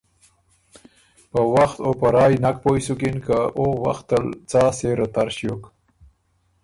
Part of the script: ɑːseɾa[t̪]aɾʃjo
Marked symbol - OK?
yes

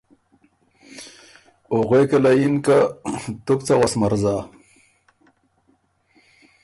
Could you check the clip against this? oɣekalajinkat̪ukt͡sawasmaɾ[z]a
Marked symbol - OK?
yes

